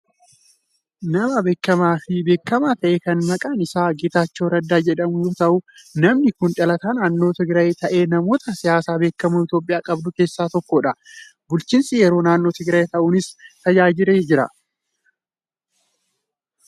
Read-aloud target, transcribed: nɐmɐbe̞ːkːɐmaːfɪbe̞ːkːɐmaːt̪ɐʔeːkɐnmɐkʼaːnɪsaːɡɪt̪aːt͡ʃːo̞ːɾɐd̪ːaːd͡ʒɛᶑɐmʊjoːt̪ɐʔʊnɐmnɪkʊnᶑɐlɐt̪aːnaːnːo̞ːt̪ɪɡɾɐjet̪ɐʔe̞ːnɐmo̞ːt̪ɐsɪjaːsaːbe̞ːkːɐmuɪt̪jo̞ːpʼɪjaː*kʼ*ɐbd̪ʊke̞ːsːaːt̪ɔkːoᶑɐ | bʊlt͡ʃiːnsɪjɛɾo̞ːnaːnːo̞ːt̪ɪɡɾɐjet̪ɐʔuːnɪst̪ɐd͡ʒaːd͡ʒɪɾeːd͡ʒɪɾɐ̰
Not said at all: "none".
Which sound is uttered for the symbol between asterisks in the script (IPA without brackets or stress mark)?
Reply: kʼ